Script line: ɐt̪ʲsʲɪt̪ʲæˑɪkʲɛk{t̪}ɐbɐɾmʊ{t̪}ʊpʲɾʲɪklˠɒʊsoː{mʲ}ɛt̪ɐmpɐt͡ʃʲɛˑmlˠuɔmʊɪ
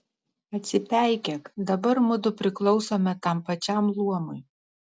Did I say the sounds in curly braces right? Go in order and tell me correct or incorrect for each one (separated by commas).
incorrect, incorrect, correct